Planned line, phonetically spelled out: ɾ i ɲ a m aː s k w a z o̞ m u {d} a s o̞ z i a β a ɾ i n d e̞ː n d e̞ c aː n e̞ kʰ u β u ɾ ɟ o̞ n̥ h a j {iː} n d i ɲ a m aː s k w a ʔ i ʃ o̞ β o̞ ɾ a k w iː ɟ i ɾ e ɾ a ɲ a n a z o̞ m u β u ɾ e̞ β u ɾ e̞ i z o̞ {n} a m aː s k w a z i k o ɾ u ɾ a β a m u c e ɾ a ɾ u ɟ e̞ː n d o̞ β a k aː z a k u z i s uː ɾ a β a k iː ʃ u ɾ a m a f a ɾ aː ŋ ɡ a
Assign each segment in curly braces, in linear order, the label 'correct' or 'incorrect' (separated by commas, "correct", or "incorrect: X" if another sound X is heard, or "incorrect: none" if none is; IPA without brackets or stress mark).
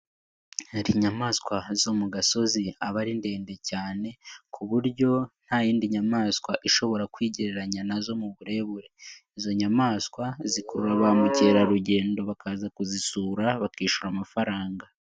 incorrect: ɡ, correct, incorrect: ɲ